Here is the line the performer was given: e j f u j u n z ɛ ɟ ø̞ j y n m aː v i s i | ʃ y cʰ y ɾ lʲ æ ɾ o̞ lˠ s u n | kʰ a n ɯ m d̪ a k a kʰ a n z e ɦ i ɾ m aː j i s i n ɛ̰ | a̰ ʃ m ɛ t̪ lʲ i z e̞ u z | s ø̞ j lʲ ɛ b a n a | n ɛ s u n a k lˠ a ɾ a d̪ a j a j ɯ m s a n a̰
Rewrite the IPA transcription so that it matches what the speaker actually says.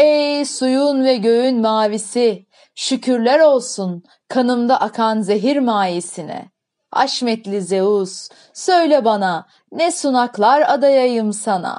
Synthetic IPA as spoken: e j s u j u n v ɛ ɟ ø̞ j y n m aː v i s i | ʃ y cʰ y ɾ lʲ æ ɾ o̞ lˠ s u n | kʰ a n ɯ m d̪ a ʔ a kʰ a n z e ɦ i ɾ m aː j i s i n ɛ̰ | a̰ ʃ m ɛ t̪ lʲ i z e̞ u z | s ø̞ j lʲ ɛ b a n a | n ɛ s u n a k lˠ a ɾ a d̪ a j a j ɯ m s a n a̰